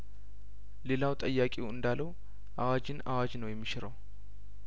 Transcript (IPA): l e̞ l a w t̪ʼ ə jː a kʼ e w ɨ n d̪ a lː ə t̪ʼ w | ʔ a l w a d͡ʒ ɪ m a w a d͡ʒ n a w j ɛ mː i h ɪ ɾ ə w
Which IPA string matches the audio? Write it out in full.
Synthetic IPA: l e̞ l a w t̪ʼ ə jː a kʼ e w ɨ n d̪ a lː ə w | ʔ a w a d͡ʒ ɪ n a w a d͡ʒ n ə w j ɛ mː i ʃ ɪ ɾ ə w